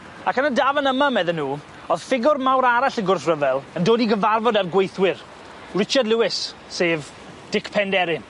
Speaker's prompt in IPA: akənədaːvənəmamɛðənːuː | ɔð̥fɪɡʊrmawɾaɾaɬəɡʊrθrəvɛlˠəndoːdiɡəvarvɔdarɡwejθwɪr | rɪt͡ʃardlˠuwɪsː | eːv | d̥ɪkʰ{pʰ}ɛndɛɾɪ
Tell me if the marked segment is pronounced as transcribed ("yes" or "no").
yes